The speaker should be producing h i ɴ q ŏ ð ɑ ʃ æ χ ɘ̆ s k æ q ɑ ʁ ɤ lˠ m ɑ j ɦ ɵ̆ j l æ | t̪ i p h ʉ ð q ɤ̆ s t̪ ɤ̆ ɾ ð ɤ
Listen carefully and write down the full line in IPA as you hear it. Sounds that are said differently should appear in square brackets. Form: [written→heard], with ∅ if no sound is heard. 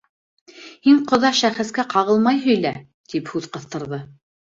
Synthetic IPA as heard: h i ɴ q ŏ ð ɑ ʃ æ χ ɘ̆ s k æ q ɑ ʁ ɤ lˠ m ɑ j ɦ ɵ̆ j l æ | t̪ i p h ʉ ð q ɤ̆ [s→θ] t̪ ɤ̆ ɾ ð ɤ

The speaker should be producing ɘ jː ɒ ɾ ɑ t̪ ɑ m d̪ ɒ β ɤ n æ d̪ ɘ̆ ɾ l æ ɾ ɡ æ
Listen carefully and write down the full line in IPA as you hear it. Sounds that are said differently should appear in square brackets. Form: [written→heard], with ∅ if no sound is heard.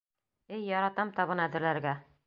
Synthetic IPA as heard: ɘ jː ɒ ɾ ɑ t̪ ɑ m [d̪→t̪] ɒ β ɤ n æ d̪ ɘ̆ ɾ l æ ɾ ɡ æ

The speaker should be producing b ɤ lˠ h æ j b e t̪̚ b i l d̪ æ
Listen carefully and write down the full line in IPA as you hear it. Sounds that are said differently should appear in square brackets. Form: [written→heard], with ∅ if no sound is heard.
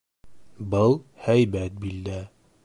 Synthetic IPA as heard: b ɤ lˠ h æ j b [e→æ] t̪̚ b i l d̪ æ

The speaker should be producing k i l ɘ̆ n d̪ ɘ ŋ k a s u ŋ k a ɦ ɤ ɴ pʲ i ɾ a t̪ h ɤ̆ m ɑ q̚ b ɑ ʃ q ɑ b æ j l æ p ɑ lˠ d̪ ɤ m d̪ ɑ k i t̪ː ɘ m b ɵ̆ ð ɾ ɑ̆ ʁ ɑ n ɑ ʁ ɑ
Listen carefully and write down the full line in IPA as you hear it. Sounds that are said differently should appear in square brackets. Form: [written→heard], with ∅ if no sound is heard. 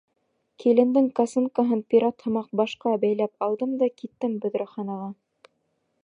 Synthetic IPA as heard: k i l ɘ̆ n d̪ ɘ ŋ k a s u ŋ k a ɦ ɤ [ɴ→n] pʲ i ɾ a t̪ h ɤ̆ m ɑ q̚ b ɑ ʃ q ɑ b æ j l æ p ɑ lˠ d̪ ɤ m d̪ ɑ k i t̪ː ɘ m b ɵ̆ ð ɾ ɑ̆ [ʁ→χ] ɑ n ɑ ʁ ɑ

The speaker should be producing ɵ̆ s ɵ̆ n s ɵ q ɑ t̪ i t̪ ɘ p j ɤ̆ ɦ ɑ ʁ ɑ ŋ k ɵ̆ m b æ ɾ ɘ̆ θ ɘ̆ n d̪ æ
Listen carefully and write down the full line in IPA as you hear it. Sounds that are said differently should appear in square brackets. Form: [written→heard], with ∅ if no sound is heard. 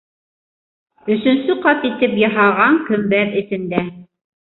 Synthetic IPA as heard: ɵ̆ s ɵ̆ n s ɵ q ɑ t̪ i t̪ ɘ p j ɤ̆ ɦ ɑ ʁ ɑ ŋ k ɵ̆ m b æ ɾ ɘ̆ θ ɘ̆ n d̪ æ

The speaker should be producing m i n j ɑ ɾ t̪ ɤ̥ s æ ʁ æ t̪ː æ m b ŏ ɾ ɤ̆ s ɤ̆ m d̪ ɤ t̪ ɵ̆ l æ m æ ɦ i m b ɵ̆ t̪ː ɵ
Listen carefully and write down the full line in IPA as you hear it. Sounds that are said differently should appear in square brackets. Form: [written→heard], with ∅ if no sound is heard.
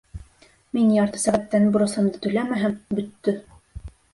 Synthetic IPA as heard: m i n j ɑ ɾ t̪ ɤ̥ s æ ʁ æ t̪ː æ [m→n] b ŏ ɾ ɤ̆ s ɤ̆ m d̪ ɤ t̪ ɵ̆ l æ m æ ɦ [i→æ] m b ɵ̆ t̪ː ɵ

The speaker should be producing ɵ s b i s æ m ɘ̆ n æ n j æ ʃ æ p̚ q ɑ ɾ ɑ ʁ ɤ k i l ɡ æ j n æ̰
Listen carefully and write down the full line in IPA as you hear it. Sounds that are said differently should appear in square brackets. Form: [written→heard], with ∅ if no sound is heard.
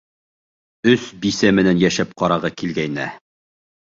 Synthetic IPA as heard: ɵ s b i s æ m ɘ̆ n æ n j æ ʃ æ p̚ q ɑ ɾ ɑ ʁ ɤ k i l ɡ æ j n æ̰

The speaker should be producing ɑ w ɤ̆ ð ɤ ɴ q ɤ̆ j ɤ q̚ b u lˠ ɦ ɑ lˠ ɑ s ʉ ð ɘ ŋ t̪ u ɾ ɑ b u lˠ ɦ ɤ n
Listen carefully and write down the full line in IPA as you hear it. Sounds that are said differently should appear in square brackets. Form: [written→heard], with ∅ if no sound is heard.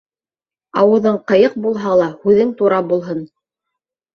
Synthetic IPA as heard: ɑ w ɤ̆ ð ɤ ɴ q ɤ̆ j ɤ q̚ b u lˠ ɦ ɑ lˠ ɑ [s→h] ʉ ð ɘ ŋ t̪ u ɾ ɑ b u lˠ ɦ ɤ n

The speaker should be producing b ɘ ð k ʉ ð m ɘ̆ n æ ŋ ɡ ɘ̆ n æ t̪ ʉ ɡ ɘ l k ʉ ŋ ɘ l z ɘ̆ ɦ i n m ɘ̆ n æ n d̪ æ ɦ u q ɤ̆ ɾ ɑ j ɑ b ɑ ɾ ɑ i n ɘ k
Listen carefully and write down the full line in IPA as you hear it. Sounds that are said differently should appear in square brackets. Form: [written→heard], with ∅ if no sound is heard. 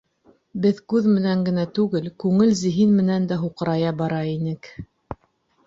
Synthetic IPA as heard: b ɘ ð k ʉ ð m ɘ̆ n æ ŋ ɡ ɘ̆ n æ t̪ ʉ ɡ ɘ l k ʉ ŋ ɘ l z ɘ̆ ɦ i n m ɘ̆ n æ n d̪ æ ɦ u q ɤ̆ ɾ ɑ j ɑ b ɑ ɾ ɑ i n ɘ k

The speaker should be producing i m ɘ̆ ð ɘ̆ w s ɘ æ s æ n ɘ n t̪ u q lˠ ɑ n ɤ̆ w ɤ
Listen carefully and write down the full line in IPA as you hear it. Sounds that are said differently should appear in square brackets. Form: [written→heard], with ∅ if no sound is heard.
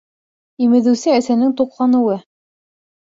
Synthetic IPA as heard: i m ɘ̆ ð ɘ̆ w s ɘ æ s æ n ɘ [n→ŋ] t̪ u q lˠ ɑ n ɤ̆ w ɤ

